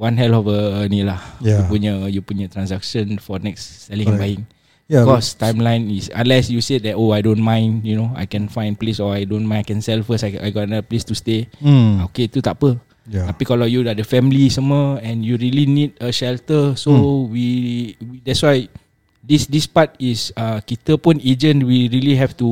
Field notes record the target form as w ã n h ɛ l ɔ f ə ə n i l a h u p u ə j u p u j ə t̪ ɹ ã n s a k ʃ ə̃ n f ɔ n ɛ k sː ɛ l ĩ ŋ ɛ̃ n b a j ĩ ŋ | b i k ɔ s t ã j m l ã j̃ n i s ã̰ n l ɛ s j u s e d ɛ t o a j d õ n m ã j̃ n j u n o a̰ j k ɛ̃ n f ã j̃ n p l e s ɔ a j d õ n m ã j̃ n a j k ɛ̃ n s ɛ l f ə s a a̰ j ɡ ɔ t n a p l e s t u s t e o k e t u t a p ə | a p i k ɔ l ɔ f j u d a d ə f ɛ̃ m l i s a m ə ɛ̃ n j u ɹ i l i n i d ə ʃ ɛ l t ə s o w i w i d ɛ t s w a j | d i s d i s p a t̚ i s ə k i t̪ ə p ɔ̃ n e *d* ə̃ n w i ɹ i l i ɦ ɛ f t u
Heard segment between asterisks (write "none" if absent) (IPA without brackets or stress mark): d͡ʒ